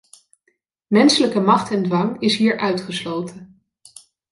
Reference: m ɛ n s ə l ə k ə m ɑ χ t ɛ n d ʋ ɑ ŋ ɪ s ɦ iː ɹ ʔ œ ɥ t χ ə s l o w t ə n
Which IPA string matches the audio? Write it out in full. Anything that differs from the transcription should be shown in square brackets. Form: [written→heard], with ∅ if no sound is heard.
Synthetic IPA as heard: m ɛ n s ə l ə k ə m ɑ χ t ɛ n d ʋ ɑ ŋ ɪ s ɦ iː ɹ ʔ œ ɥ t χ ə s l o w t ə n